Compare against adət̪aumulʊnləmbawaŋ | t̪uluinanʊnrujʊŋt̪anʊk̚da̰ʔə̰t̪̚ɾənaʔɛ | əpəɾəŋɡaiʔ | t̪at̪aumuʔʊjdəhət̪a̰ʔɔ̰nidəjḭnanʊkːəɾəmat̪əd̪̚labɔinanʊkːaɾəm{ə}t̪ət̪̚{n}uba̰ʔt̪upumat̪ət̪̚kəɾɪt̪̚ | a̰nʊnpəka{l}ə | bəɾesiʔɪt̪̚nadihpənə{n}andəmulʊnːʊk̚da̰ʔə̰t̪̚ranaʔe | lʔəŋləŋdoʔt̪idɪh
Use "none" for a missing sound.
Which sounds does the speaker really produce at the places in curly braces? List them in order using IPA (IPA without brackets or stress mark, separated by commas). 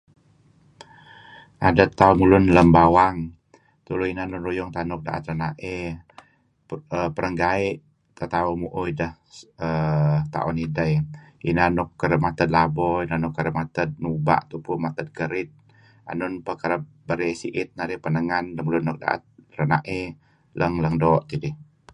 a, n, ɾ, ŋ